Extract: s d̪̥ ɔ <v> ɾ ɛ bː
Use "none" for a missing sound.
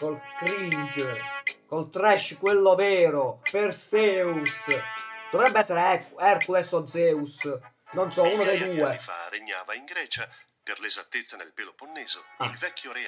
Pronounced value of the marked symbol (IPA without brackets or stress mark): v